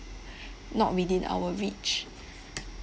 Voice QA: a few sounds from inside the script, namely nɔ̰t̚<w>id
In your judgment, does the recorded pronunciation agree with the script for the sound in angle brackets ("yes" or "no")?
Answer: yes